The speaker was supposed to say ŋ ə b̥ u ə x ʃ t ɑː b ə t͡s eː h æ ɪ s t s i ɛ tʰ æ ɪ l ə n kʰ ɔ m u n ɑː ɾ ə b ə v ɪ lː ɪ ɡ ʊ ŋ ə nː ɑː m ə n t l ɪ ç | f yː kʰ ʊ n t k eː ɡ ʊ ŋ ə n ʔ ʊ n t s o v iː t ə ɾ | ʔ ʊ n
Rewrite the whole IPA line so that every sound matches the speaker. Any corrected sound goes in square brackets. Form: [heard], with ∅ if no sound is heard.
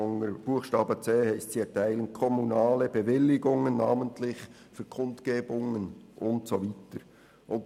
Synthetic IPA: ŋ ə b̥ u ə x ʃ t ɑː b ə t͡s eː h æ ɪ s t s i ɛ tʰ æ ɪ l ə n kʰ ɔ m u n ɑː [l] ə b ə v ɪ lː ɪ ɡ ʊ ŋ ə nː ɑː m ə n t l ɪ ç | f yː kʰ ʊ n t k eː [b] ʊ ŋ ə n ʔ ʊ n t s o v iː t ə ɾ | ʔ ʊ n